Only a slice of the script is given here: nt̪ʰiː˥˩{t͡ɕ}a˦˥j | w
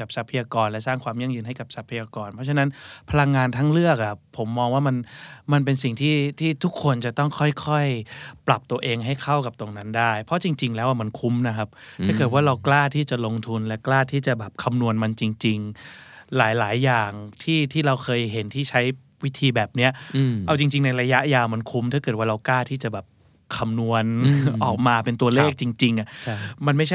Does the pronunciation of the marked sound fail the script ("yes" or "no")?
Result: yes